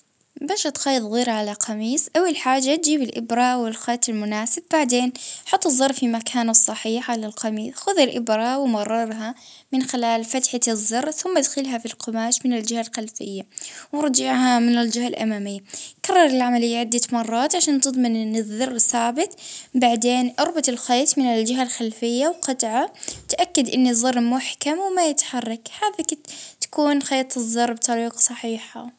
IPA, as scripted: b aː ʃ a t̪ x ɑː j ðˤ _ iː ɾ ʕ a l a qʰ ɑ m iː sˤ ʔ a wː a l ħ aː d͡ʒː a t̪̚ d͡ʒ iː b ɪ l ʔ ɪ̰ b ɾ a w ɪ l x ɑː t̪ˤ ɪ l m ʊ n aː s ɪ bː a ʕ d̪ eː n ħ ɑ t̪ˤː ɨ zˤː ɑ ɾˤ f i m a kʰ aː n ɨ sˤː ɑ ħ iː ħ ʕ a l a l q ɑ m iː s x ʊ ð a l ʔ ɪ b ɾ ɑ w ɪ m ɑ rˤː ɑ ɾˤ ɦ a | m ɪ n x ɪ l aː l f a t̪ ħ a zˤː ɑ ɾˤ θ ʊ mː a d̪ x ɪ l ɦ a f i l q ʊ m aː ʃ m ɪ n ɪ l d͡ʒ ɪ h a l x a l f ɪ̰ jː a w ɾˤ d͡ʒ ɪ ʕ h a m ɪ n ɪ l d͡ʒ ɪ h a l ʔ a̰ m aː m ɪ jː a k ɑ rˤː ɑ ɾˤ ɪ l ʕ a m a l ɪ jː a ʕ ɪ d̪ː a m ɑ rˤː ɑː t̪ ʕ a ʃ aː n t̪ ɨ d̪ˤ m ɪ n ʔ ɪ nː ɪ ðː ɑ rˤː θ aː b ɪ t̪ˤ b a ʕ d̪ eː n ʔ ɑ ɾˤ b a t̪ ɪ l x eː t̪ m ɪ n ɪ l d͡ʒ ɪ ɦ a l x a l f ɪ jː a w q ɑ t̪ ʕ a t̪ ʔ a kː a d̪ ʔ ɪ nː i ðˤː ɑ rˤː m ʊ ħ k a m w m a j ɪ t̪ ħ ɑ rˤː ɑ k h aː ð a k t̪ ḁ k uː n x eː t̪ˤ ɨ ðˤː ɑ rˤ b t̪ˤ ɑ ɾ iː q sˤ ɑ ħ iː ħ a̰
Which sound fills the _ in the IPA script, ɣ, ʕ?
ɣ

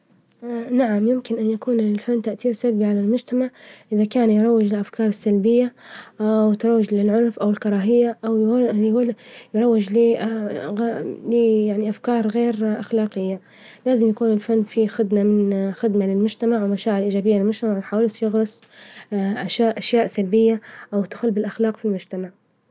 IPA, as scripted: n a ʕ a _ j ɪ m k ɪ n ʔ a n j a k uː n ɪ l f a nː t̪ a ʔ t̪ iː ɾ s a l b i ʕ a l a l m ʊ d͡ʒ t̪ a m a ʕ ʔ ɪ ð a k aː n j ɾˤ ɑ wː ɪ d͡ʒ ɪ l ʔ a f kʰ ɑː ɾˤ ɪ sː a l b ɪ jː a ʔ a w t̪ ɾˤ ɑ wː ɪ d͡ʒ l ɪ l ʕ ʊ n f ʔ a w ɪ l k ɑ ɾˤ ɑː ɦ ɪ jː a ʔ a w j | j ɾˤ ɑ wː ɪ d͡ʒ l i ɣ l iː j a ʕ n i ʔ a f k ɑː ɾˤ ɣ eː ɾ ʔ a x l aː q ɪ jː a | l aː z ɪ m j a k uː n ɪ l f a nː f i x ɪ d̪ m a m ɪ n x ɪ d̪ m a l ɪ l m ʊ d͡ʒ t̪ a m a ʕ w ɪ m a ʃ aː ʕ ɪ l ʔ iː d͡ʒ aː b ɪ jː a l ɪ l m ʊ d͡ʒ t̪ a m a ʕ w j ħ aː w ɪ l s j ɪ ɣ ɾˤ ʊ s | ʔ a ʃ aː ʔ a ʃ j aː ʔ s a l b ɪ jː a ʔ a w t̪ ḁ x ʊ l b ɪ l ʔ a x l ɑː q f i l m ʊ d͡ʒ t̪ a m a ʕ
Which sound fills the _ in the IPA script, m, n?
m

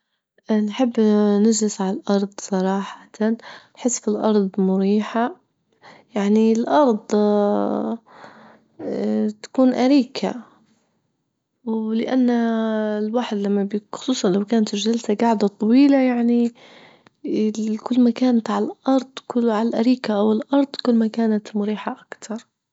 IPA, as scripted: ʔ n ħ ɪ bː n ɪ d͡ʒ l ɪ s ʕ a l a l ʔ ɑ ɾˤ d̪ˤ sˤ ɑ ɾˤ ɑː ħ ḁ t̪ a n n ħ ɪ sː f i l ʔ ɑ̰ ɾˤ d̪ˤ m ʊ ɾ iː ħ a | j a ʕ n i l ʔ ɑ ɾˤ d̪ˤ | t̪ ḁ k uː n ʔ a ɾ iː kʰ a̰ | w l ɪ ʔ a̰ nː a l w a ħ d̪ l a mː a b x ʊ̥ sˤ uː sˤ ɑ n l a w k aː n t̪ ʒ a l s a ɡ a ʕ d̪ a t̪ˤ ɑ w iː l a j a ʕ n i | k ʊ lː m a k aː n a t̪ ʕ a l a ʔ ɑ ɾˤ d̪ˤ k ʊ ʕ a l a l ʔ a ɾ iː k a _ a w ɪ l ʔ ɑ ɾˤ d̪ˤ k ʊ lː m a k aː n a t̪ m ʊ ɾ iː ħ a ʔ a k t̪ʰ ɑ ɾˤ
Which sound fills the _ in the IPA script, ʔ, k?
ʔ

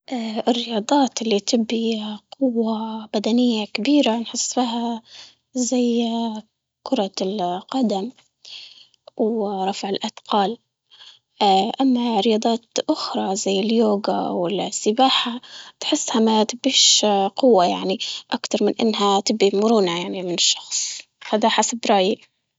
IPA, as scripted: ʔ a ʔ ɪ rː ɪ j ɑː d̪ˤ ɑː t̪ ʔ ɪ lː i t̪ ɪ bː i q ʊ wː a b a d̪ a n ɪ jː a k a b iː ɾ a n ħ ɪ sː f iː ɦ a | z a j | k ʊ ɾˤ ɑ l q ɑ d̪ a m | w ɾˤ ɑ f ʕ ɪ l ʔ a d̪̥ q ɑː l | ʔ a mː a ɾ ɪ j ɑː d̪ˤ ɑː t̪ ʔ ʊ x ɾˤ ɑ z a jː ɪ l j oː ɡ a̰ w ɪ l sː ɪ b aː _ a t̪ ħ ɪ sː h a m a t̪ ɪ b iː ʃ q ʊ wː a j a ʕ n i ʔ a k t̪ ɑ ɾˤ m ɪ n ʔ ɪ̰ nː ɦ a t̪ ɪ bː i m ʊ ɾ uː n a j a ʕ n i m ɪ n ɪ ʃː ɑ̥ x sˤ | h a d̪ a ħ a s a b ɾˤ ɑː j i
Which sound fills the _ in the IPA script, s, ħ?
ħ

